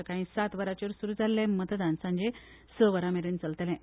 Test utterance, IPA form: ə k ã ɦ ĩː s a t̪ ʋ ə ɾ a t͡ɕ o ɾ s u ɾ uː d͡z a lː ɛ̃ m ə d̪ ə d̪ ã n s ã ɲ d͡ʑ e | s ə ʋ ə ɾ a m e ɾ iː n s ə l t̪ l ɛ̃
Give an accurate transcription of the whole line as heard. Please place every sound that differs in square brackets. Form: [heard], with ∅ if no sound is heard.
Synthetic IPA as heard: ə k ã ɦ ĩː s a t̪ ʋ ə ɾ a t͡ɕ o ɾ s u ɾ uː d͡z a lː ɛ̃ m ə [t̪] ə d̪ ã n s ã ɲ d͡ʑ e | s ə ʋ ə ɾ a m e ɾ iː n [t͡s] ə l t̪ l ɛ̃